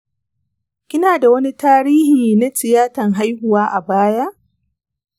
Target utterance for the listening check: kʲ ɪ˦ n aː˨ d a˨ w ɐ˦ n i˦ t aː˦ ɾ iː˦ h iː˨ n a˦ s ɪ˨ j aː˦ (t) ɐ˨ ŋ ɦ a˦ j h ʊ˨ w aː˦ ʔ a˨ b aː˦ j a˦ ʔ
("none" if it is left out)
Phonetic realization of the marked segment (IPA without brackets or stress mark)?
t